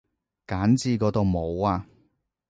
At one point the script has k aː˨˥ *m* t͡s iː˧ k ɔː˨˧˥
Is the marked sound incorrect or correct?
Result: incorrect: n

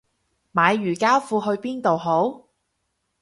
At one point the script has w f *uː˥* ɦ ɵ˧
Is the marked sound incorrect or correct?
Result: incorrect: uː˧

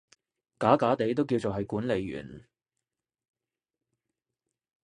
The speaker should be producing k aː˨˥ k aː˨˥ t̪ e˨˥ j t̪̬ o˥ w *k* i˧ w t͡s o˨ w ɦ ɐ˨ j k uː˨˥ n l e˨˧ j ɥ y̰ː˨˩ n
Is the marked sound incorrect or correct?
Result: correct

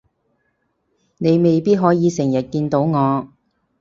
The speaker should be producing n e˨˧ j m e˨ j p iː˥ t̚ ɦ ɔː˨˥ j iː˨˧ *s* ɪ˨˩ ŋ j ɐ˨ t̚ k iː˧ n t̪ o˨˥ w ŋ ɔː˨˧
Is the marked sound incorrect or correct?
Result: correct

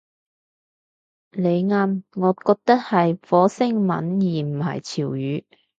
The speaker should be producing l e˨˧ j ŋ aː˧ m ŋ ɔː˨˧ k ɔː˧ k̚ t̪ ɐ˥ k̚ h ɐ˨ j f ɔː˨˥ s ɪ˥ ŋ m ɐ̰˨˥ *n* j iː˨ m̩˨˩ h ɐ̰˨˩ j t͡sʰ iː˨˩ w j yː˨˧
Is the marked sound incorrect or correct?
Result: correct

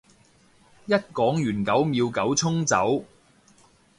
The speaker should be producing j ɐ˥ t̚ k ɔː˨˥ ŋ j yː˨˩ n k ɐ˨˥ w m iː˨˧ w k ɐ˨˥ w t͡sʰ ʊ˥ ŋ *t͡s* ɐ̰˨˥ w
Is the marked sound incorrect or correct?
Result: correct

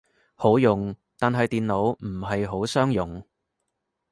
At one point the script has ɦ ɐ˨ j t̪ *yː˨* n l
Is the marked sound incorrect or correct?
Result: incorrect: iː˨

